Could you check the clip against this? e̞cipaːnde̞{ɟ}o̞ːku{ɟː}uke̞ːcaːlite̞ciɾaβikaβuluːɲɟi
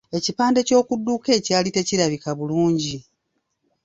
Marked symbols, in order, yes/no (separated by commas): no, no